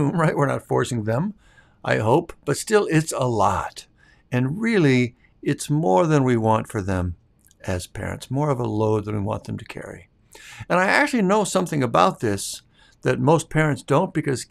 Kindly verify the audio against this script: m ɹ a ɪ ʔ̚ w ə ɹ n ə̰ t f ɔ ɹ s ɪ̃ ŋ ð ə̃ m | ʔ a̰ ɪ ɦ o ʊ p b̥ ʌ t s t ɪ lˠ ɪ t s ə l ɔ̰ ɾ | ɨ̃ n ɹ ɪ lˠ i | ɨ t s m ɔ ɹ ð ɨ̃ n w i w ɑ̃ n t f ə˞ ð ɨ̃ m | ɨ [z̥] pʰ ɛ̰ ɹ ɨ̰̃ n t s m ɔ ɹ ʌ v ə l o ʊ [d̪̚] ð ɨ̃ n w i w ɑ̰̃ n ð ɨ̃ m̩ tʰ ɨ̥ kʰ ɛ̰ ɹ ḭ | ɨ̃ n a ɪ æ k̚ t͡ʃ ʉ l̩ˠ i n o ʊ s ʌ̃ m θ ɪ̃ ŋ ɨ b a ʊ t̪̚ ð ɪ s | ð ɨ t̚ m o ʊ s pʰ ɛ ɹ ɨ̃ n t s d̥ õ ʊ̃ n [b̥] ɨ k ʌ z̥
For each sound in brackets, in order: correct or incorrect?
correct, correct, correct

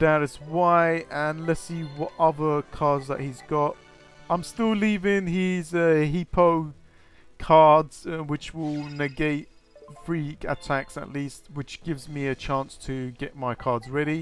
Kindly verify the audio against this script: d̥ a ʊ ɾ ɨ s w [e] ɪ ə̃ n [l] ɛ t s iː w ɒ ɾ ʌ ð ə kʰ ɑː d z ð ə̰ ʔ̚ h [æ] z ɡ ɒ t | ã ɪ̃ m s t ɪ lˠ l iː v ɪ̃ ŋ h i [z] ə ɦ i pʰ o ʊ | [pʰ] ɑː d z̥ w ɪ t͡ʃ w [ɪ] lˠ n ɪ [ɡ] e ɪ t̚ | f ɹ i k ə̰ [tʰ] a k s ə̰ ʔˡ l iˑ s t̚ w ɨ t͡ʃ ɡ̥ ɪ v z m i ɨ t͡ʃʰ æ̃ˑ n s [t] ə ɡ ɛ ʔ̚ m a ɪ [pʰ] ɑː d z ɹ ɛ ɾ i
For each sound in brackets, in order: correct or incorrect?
incorrect, correct, incorrect, correct, incorrect, correct, correct, correct, incorrect, incorrect

